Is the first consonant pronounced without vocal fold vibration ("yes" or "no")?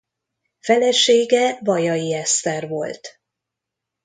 yes